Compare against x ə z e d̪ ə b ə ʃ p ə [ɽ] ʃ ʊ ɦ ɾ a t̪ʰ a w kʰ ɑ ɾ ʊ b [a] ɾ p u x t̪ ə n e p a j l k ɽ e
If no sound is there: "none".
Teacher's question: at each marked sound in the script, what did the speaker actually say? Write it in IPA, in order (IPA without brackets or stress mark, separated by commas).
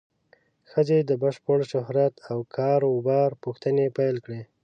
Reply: ɽ, ɑ